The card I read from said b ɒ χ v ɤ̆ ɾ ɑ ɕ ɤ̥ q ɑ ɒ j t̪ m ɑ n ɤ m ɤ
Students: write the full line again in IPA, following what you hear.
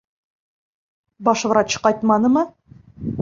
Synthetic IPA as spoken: b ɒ ʃ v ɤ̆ ɾ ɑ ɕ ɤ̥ q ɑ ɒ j t̪ m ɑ n ɤ m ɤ